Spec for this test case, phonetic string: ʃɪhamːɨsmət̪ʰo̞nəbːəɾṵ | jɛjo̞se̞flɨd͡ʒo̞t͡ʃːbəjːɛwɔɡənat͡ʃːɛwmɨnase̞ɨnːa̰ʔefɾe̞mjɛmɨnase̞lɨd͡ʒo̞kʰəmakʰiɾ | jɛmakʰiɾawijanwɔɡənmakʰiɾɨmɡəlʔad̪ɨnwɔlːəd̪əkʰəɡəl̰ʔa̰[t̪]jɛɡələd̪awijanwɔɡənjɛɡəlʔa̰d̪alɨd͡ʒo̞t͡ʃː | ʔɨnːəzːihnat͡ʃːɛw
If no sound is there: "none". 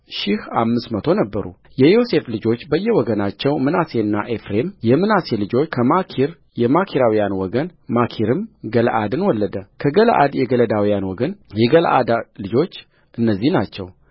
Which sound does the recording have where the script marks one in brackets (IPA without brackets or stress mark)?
d̪